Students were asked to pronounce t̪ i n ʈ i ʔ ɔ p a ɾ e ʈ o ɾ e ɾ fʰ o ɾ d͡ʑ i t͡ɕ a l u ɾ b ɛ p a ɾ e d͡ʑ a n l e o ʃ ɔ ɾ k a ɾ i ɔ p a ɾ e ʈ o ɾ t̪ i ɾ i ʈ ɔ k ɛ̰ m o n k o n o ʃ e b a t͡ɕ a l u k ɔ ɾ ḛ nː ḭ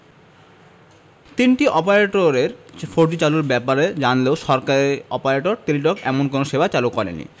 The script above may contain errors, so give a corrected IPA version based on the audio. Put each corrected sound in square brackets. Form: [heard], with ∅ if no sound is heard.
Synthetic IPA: t̪ i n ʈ i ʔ ɔ p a ɾ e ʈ o ɾ e ɾ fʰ o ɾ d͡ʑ i t͡ɕ a l u ɾ b ɛ p a ɾ e d͡ʑ a n l e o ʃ ɔ ɾ k a ɾ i ɔ p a ɾ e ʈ o ɾ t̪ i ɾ i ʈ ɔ k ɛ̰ m o n k o n o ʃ e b a t͡ɕ a l u k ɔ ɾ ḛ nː ḭ